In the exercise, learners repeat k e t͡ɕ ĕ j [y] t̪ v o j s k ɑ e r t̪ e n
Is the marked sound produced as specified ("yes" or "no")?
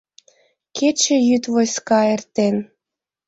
yes